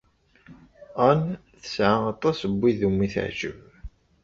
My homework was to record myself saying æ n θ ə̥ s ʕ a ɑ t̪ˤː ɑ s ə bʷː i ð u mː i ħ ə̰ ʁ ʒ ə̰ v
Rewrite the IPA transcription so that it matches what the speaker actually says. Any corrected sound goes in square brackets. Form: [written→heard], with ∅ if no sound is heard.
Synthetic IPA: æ n θ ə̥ s ʕ a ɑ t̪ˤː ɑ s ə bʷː i ð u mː i [ħ→θ] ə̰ [ʁ→ʕ] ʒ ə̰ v